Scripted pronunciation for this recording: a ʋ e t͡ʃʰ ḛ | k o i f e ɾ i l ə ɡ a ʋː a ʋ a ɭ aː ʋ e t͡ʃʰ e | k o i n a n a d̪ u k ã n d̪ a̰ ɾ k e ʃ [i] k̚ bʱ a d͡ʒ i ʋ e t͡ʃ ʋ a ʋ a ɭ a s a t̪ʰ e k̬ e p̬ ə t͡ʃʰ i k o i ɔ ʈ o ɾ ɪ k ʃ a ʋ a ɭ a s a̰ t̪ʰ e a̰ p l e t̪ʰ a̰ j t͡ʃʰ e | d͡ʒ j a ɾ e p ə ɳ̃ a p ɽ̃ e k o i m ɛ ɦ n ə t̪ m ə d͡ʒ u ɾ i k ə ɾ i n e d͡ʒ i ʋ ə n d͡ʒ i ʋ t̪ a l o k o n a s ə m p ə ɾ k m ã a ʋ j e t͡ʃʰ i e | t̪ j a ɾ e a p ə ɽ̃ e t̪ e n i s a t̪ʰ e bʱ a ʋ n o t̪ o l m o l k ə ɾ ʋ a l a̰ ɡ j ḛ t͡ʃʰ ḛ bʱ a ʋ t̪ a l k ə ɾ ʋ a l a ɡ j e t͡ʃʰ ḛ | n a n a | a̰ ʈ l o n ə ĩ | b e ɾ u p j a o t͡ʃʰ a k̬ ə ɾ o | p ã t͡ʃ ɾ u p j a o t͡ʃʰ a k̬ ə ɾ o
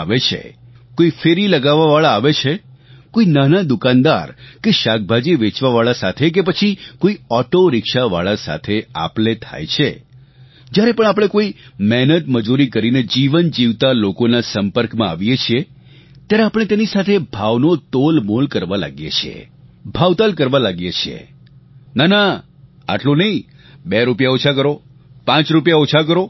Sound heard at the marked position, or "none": a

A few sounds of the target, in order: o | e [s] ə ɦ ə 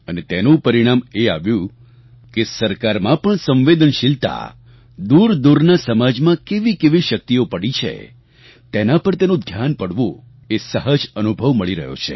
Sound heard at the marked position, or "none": s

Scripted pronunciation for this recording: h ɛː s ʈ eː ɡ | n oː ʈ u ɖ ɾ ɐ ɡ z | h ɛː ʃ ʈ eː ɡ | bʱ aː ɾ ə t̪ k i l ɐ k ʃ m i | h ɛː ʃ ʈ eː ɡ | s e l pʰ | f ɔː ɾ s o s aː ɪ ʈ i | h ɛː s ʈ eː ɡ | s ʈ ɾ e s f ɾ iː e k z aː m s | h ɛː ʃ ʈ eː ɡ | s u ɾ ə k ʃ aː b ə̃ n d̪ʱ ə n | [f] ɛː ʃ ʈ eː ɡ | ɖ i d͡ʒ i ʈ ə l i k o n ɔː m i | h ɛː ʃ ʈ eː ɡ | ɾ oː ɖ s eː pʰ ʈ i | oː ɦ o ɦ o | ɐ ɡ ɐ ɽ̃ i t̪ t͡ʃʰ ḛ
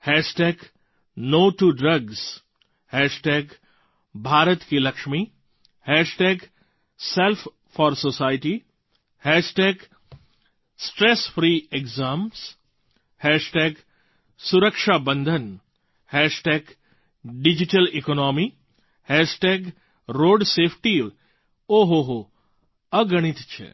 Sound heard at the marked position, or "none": h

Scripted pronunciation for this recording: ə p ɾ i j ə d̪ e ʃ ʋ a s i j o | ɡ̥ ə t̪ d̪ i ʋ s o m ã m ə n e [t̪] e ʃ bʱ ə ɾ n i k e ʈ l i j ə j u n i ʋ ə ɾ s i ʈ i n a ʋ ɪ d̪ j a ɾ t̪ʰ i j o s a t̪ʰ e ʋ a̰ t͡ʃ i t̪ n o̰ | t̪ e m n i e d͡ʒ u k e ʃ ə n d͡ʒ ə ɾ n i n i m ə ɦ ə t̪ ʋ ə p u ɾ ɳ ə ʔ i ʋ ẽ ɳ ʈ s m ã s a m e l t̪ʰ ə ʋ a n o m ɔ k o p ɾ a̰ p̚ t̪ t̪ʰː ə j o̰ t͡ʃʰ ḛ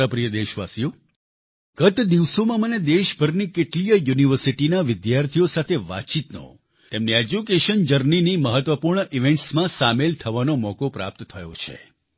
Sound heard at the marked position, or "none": d̪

